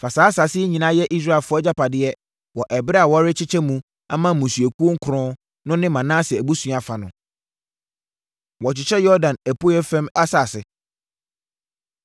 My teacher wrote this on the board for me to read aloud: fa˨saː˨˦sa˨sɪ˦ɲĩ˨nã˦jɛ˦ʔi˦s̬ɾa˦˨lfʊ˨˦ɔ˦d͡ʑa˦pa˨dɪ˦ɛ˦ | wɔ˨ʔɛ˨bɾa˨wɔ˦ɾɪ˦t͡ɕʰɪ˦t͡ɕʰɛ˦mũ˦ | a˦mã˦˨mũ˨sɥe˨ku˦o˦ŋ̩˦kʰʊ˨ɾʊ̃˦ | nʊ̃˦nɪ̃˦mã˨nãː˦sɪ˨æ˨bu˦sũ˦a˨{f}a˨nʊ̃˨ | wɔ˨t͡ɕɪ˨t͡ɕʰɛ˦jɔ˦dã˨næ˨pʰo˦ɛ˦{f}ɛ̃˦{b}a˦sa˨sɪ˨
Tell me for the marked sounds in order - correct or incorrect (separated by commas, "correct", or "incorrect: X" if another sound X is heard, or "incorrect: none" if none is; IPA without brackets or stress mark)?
correct, correct, incorrect: m